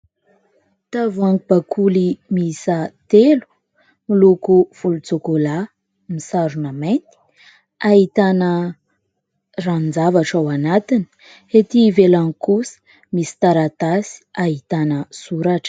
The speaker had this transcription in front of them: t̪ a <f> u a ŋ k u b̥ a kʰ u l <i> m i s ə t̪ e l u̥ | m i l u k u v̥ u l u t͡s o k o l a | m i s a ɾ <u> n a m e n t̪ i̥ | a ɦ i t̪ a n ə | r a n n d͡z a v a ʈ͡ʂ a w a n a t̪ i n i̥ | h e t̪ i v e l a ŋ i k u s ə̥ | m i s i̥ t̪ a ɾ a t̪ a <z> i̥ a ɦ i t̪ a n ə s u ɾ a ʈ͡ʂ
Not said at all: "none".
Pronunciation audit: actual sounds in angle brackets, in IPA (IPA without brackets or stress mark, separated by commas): v, i, u, s